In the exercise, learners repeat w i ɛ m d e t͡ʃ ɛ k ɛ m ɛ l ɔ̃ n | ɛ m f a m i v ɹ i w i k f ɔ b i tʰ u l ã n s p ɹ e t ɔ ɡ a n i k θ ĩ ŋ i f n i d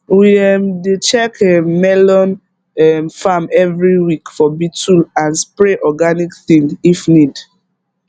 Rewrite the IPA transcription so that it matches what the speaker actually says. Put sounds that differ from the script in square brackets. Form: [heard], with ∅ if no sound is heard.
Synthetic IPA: w i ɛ m d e t͡ʃ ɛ k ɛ m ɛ l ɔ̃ n | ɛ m f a m [ɛ] v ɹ i w i k f ɔ b i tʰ u l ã n s p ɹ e [ʔ] ɔ ɡ a n i k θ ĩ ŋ i f n i d